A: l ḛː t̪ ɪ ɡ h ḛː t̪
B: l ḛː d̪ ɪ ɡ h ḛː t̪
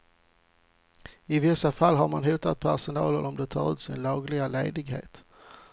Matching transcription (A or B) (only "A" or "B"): B